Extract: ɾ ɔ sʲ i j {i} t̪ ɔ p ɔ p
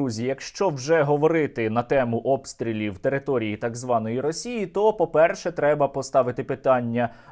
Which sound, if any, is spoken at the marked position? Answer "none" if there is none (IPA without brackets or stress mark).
i